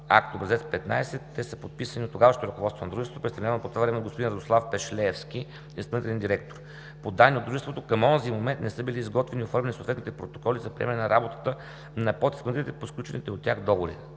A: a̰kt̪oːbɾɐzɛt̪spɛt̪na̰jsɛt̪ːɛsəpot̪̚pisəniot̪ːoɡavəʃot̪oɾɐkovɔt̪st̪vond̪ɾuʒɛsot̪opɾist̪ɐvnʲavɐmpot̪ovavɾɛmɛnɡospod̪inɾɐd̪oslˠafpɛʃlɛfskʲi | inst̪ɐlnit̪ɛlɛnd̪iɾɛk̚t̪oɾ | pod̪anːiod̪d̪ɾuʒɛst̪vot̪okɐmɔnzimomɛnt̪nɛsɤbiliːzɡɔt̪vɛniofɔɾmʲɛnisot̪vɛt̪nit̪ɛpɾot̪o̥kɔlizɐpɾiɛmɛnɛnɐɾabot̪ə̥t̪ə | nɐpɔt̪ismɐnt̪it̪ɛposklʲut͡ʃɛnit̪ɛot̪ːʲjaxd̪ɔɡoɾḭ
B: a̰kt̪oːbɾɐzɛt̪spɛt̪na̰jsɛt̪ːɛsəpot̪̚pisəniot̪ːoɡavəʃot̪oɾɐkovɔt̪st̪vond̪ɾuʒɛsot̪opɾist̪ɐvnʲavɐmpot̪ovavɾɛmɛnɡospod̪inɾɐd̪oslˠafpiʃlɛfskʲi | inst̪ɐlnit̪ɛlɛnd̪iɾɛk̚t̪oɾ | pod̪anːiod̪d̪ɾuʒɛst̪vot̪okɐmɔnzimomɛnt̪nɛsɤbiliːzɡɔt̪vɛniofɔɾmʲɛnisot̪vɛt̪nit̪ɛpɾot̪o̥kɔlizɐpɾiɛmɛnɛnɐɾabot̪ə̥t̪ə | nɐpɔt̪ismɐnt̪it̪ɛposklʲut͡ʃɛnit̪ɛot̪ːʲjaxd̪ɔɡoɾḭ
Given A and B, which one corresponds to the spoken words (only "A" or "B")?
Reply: A